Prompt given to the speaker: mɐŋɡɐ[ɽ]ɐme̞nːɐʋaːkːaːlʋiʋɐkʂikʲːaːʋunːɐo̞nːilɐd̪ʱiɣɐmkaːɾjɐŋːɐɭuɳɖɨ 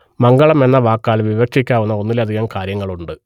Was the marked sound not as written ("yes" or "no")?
yes